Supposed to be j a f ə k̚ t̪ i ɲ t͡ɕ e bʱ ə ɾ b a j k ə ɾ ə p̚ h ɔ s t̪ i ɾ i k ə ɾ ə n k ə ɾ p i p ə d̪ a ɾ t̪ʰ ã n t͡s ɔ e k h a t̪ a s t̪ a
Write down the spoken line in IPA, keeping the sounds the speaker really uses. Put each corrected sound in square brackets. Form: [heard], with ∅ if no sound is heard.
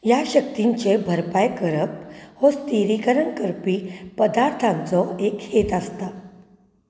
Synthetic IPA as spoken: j a [ɕ] ə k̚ t̪ i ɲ t͡ɕ e bʱ ə ɾ [p] a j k ə ɾ ə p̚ h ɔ s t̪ i ɾ i k ə ɾ ə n k ə ɾ p i p ə d̪ a ɾ t̪ʰ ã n t͡s ɔ e k h [e] t̪ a s t̪ a

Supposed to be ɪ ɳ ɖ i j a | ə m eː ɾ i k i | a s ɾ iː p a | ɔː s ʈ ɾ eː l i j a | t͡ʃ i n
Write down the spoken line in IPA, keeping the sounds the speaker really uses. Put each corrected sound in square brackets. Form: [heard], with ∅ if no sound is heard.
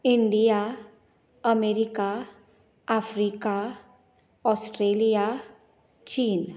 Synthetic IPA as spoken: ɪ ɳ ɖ i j a | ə m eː ɾ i k [a] | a [f] ɾ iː [k] a | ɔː s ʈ ɾ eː l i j a | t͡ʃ [iː] n

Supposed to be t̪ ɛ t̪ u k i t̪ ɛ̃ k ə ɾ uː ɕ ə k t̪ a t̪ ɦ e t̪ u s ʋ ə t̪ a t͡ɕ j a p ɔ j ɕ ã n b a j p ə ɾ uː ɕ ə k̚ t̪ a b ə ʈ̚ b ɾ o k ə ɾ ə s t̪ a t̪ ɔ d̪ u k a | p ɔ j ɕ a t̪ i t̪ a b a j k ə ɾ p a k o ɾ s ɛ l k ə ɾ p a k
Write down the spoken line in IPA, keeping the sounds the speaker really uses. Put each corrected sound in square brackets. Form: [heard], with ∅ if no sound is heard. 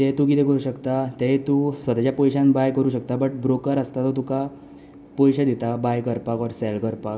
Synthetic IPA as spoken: t̪ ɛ t̪ u k i t̪ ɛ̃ k ə ɾ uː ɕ ə k t̪ a t̪ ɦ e t̪ u s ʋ ə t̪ a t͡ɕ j a p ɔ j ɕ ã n b a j [k] ə ɾ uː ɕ ə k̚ t̪ a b ə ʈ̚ b ɾ o k ə ɾ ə s t̪ a t̪ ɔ [t̪] u k a | p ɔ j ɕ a [d̪] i t̪ a b a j k ə ɾ p a k [ɔ] ɾ s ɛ l k ə ɾ p a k

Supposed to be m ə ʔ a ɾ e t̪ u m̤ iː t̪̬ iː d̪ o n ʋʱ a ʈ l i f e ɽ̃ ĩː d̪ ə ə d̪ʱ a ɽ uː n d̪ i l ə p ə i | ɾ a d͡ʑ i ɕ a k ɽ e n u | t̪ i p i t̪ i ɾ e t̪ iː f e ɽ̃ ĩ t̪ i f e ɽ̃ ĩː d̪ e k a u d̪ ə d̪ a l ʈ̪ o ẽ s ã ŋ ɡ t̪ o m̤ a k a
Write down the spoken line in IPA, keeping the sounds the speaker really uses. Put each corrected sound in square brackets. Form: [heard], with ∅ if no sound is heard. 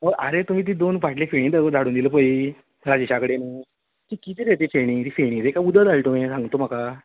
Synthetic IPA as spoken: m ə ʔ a ɾ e t̪ u m̤ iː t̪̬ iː d̪ o n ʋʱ a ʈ l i f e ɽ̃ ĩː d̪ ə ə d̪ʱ a ɽ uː n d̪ i l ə p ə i | ɾ a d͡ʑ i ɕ a k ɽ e n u | t̪ i [k] i t̪ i ɾ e t̪ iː f e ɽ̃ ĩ t̪ i f e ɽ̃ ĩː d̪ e k a u d̪ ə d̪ a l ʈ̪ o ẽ s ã ŋ ɡ t̪ o m̤ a k a

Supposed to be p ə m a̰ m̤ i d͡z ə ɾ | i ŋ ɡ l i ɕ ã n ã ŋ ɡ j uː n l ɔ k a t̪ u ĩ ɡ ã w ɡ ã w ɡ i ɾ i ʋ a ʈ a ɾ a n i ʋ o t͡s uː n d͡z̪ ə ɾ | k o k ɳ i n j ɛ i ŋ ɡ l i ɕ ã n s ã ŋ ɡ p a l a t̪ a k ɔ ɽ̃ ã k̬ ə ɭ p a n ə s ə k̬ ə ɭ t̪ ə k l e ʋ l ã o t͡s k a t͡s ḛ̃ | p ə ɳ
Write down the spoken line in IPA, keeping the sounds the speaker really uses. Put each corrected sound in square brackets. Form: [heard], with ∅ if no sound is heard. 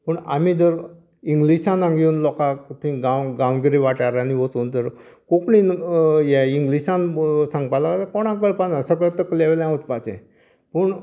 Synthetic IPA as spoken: p ə [ɳ] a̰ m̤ i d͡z ə ɾ | i ŋ ɡ l i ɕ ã n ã ŋ ɡ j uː n l ɔ k a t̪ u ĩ ɡ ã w ɡ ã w ɡ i ɾ i ʋ a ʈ a ɾ a n i ʋ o t͡s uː n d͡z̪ ə ɾ | k o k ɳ i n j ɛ i ŋ ɡ l i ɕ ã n s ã ŋ ɡ p a l a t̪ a k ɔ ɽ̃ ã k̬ ə ɭ p a n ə s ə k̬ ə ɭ t̪ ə k l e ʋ l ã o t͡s [p] a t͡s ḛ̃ | p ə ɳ

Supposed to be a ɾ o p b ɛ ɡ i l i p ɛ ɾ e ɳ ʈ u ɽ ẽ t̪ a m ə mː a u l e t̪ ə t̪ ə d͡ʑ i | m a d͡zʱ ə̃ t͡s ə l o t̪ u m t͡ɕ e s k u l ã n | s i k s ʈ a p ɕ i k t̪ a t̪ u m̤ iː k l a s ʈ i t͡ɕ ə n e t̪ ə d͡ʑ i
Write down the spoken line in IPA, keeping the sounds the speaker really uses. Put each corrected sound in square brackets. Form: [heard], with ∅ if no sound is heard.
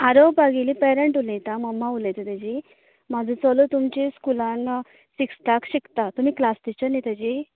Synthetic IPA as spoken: a ɾ o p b [a] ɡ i l i p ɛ ɾ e ɳ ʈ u [l] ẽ t̪ a m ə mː a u l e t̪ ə t̪ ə d͡ʑ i | m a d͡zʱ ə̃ t͡s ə l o t̪ u m t͡ɕ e s k u l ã n | s i k s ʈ a [k] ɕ i k t̪ a t̪ u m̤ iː k l a s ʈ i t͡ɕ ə n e t̪ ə d͡ʑ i

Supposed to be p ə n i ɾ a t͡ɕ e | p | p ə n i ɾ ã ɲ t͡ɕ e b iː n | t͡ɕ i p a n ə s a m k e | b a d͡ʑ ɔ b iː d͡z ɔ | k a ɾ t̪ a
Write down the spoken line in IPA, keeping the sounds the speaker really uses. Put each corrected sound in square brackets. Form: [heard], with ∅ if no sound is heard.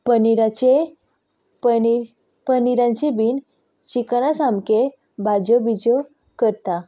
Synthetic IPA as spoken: p ə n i ɾ a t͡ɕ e | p | p ə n i ɾ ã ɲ t͡ɕ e b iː n | t͡ɕ i [k] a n [a] s a m k e | b a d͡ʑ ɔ b [i] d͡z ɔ | k [ə] ɾ t̪ a

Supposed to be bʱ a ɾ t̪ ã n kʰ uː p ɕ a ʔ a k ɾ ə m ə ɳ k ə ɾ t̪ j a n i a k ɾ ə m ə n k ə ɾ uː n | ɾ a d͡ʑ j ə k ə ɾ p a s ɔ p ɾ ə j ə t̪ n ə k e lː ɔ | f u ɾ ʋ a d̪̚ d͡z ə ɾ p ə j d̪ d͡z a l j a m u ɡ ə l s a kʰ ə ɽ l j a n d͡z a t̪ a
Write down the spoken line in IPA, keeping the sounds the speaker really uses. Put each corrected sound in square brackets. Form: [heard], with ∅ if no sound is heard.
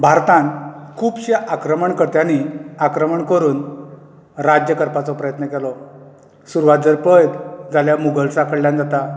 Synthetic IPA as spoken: bʱ a ɾ t̪ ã n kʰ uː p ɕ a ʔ a k ɾ ə m ə ɳ k ə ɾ t̪ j a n i a k ɾ ə m ə [ɳ] k ə ɾ uː n | ɾ a d͡ʑ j ə k ə ɾ p a [t͡s] ɔ p ɾ ə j ə t̪ n ə k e [l] ɔ | [s] u ɾ ʋ a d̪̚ d͡z ə ɾ p ə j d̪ d͡z a l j a m u ɡ ə l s a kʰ ə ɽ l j a n d͡z a t̪ a

